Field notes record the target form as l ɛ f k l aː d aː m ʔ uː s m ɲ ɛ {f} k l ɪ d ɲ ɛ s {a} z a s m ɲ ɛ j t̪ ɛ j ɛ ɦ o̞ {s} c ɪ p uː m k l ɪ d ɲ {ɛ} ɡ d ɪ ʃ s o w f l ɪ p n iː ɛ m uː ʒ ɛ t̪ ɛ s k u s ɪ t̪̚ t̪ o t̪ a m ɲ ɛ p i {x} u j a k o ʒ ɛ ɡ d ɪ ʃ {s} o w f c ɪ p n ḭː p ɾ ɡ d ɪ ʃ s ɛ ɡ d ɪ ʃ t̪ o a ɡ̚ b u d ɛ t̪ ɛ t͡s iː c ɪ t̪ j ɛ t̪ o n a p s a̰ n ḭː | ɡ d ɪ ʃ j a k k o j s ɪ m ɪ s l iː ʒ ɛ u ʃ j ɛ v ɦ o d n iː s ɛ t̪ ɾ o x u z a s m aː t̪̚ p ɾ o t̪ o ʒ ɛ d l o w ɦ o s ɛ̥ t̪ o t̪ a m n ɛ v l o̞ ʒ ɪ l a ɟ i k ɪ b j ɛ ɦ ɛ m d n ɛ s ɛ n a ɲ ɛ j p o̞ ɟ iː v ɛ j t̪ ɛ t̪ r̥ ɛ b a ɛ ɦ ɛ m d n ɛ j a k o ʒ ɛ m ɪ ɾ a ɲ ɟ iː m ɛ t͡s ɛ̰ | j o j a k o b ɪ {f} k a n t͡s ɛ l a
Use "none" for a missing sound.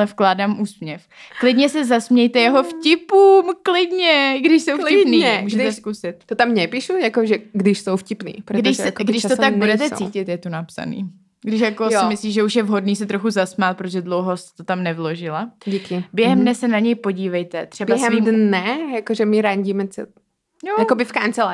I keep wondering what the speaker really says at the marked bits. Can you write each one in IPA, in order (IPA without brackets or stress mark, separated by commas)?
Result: f, ɛ, f, ɛ, ʃ, s, f